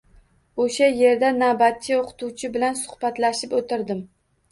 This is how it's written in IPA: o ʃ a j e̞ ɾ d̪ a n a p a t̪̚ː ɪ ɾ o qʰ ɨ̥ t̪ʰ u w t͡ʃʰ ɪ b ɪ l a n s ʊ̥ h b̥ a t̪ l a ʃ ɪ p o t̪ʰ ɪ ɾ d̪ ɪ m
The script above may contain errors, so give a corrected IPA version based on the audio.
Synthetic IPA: o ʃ a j e̞ ɾ d̪ a n a b a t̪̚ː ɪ o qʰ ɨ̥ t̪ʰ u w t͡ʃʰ ɪ b ɪ l a n s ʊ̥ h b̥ a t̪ l a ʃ ɪ p o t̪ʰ ɪ ɾ d̪ ɪ m